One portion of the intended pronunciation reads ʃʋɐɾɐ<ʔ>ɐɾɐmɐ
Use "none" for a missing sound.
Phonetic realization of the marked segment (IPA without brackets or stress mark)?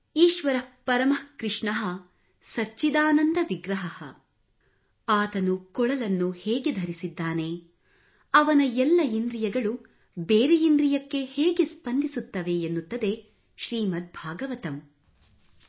p